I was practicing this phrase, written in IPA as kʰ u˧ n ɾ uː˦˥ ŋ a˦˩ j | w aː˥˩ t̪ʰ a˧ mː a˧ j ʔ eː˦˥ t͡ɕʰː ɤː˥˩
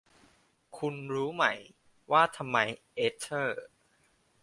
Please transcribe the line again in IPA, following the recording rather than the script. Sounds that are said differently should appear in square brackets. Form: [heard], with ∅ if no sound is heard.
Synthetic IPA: kʰ u˧ n ɾ uː˦˥ [m] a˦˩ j | w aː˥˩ t̪ʰ a˧ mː a˧ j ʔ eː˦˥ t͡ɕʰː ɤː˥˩